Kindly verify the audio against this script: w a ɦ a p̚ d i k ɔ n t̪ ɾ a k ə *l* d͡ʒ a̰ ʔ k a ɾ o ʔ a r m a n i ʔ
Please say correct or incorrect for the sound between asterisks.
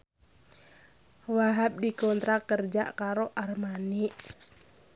incorrect